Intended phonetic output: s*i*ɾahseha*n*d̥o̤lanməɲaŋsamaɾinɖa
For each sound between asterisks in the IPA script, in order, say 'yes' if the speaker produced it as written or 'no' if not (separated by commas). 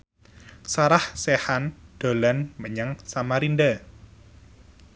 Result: no, yes